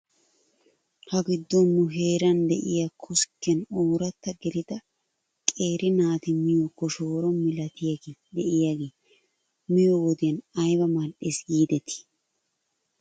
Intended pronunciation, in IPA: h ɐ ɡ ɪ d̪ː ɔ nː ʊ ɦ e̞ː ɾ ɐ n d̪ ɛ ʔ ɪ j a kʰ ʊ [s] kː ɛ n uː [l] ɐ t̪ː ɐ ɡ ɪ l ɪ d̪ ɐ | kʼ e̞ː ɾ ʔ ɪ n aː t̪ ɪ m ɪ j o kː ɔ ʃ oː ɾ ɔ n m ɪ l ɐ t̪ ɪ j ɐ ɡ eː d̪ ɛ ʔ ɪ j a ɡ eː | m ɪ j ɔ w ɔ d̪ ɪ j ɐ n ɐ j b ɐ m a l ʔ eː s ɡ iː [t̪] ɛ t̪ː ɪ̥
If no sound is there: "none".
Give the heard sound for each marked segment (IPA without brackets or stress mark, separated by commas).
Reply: s, ɾ, d̪